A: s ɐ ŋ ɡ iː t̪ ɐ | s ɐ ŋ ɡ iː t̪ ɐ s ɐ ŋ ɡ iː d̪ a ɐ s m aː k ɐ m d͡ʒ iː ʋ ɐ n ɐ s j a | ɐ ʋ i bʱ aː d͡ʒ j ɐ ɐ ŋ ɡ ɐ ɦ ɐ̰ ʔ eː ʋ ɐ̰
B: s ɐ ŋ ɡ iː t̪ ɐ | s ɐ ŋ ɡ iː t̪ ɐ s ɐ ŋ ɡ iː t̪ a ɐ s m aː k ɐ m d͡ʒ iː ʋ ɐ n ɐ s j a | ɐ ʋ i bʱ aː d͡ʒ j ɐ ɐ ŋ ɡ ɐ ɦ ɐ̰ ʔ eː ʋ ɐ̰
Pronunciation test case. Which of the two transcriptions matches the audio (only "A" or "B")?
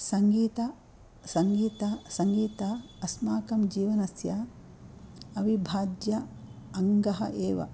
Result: B